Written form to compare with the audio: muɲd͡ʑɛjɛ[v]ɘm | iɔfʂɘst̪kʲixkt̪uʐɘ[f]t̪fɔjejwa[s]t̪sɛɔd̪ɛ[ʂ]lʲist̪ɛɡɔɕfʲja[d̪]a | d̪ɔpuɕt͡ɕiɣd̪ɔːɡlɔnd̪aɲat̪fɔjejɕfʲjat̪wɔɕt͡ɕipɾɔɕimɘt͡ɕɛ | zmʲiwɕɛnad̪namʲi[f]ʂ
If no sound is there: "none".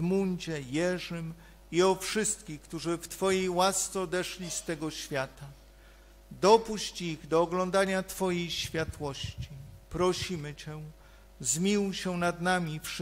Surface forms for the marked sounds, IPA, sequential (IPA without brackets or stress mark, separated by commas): ʐ, f, s, ʂ, t̪, f